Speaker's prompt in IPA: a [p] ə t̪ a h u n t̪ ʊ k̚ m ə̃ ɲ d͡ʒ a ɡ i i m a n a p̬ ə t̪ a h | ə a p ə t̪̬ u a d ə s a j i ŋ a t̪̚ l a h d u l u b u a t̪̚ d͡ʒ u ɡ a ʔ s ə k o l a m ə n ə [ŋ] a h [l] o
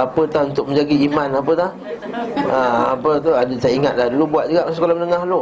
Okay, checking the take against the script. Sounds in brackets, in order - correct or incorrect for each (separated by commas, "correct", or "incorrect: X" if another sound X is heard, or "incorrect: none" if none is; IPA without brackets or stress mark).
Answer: correct, correct, correct